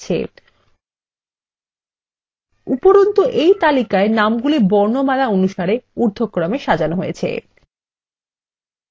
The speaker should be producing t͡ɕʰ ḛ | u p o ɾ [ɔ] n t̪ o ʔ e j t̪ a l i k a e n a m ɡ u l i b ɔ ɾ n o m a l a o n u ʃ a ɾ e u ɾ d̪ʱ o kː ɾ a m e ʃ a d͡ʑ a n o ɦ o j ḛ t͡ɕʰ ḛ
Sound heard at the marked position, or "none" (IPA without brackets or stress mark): o